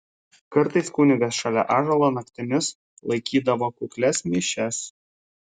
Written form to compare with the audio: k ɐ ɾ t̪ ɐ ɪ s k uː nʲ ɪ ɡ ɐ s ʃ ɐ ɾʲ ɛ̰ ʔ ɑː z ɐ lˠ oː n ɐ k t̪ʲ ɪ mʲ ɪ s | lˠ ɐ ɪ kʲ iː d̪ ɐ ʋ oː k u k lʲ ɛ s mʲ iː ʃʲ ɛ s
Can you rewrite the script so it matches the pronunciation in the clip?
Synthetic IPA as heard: k ɐ ɾ t̪ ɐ ɪ s k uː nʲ ɪ ɡ ɐ s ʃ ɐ lʲ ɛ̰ ʔ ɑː ʒ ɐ lˠ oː n ɐ k t̪ʲ ɪ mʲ ɪ s | lˠ ɐ ɪ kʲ iː d̪ ɐ ʋ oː k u k lʲ ɛ s mʲ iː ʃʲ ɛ s